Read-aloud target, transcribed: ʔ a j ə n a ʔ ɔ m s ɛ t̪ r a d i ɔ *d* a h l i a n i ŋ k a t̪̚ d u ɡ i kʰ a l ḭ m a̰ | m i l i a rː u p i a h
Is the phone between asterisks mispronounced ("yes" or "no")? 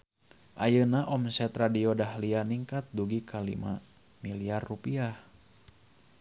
no